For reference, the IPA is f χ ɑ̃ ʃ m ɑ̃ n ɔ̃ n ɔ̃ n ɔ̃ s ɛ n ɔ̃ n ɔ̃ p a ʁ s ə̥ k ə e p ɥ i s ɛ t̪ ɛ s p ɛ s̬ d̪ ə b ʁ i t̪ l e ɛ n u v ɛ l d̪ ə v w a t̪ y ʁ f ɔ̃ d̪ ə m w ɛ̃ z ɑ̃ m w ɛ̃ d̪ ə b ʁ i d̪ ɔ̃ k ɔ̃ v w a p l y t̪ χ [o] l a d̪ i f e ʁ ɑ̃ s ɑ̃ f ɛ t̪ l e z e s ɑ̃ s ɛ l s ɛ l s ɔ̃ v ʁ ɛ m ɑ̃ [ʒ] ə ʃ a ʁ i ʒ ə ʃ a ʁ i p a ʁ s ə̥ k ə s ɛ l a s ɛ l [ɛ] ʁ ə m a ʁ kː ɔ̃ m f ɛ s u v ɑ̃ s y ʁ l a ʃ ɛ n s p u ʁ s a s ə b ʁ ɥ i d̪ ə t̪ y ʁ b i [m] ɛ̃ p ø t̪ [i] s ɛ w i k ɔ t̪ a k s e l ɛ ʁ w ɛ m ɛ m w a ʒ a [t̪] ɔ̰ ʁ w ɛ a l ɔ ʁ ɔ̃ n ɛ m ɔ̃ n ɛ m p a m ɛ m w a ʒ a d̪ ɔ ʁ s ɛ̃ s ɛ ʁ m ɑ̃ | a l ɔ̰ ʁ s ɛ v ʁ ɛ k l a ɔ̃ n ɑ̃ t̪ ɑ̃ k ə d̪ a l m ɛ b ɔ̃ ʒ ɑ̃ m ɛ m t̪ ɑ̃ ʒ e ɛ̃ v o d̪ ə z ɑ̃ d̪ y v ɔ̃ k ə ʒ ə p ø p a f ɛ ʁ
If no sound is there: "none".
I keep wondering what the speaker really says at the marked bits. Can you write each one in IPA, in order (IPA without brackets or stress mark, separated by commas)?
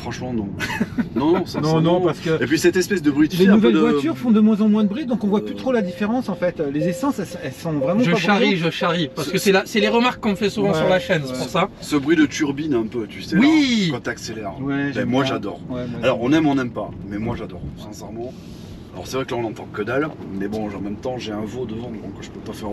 o, ʒ, e, n, y, d̪